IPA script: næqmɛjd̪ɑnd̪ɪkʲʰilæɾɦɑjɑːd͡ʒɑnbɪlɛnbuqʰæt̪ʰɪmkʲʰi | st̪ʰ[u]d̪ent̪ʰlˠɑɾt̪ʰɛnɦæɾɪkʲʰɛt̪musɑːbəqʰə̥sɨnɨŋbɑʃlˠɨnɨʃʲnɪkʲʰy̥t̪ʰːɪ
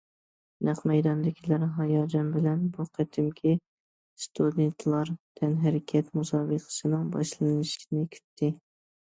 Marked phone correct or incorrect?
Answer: correct